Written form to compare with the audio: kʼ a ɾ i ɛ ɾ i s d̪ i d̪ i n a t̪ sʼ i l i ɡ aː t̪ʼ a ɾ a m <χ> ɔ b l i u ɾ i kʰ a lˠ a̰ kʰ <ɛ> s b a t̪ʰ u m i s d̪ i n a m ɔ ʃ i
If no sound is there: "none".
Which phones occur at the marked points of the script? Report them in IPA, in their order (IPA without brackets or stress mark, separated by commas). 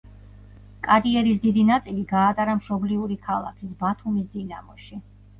ʃ, i